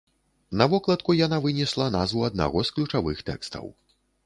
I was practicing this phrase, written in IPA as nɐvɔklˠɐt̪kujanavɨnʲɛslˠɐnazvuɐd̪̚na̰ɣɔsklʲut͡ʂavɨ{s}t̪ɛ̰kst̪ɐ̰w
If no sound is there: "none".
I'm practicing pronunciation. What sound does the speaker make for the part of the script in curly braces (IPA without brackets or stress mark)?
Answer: x